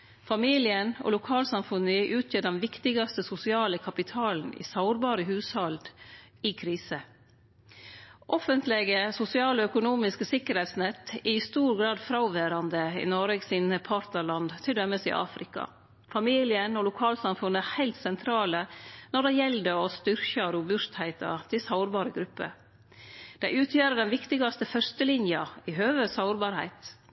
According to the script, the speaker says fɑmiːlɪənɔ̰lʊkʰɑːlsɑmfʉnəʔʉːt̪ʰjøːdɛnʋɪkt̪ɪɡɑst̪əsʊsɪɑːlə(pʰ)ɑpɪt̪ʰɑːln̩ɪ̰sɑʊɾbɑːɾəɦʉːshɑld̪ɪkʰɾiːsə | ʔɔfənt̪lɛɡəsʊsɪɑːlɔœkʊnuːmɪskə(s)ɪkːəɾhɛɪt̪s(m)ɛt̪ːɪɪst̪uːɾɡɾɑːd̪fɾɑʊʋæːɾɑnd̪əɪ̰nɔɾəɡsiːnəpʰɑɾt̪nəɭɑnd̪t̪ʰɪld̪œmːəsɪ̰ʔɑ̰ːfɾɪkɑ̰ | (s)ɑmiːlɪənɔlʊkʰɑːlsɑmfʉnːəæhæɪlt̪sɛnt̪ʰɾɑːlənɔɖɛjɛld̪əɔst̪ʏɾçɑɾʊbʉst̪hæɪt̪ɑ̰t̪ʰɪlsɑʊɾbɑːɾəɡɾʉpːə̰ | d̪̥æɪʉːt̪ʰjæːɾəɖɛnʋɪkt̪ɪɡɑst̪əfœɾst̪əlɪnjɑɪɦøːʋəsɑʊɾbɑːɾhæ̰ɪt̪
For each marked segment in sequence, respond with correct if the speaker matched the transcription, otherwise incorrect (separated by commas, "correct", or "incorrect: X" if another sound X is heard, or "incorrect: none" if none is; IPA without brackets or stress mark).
incorrect: kʰ, correct, incorrect: n, incorrect: f